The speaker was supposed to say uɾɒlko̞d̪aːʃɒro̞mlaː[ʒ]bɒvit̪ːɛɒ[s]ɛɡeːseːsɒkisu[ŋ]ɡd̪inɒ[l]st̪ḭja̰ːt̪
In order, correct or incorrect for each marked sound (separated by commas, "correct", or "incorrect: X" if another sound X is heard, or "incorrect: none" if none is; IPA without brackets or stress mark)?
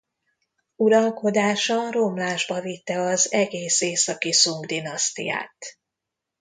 correct, incorrect: z, correct, incorrect: none